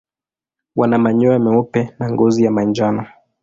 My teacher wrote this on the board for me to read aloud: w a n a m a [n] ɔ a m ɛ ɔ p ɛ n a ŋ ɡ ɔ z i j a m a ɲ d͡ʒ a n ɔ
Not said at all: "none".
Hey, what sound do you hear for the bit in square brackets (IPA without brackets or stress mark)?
ɲ